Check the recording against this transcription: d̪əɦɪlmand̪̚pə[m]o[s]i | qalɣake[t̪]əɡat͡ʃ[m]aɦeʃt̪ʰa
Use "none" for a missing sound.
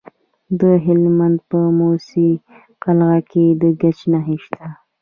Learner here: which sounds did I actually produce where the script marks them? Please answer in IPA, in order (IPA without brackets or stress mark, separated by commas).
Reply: m, s, d̪, n